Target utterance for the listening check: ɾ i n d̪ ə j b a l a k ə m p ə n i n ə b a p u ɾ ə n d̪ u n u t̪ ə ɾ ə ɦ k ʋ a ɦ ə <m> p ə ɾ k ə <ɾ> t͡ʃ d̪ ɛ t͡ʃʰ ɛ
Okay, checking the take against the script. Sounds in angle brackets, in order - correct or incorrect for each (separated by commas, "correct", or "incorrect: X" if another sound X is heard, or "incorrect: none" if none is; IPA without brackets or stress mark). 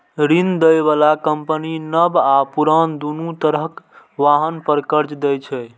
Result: incorrect: n, correct